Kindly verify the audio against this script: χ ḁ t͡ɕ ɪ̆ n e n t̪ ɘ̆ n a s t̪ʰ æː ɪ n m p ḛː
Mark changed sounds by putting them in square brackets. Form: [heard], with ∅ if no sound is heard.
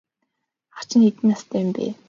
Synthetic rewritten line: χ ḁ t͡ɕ ɪ̆ n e [∅] t̪ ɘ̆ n a s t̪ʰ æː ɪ [∅] m p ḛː